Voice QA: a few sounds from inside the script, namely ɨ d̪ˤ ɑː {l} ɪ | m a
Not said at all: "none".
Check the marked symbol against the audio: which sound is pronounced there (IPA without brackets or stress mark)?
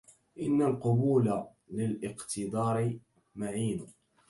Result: ɾ